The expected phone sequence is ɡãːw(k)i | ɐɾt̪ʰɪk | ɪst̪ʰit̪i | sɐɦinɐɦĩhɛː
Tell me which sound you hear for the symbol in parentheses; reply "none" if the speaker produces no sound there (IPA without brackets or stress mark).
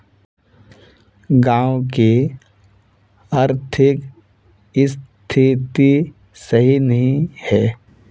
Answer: k